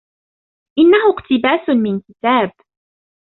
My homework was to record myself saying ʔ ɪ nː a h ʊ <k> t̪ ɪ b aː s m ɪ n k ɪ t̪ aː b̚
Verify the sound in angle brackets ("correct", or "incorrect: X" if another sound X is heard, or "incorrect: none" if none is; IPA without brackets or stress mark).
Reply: incorrect: q